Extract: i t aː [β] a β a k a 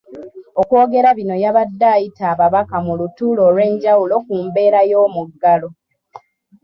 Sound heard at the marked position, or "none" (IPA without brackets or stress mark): β